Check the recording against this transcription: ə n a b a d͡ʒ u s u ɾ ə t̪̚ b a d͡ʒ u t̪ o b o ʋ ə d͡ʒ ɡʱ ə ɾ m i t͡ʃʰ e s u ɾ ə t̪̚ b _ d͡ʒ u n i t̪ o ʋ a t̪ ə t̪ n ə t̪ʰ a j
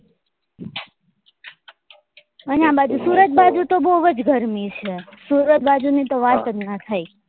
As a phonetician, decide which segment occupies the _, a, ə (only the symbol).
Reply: a